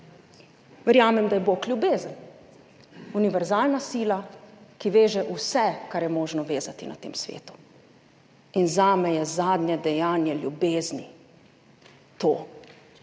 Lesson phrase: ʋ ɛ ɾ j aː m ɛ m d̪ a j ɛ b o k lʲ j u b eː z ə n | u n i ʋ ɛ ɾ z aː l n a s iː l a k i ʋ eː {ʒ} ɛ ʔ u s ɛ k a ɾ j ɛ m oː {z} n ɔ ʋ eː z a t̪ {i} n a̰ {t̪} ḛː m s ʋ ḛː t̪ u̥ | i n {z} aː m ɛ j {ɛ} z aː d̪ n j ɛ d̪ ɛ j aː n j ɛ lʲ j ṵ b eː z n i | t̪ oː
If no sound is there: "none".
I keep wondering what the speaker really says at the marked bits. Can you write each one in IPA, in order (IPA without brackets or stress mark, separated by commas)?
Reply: ʒ, ʒ, i, t̪, z, ɛ